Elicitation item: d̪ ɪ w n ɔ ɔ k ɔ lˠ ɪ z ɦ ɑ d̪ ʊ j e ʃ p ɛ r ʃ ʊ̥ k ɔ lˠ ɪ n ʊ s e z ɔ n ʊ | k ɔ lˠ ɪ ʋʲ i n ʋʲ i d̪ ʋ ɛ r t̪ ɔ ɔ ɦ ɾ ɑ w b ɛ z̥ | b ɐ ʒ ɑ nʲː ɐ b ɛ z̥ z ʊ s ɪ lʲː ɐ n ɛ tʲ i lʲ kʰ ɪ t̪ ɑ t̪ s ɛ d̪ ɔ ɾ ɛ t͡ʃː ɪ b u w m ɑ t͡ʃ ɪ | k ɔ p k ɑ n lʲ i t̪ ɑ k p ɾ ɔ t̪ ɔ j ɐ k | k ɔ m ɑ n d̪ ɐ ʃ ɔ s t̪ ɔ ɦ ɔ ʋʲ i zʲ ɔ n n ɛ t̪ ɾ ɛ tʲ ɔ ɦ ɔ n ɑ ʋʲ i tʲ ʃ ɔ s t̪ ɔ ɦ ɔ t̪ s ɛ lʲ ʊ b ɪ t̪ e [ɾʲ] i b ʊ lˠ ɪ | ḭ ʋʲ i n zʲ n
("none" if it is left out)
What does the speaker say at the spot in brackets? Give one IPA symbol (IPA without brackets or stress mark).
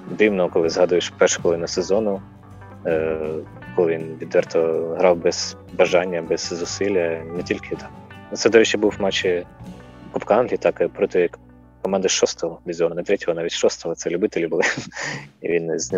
lʲ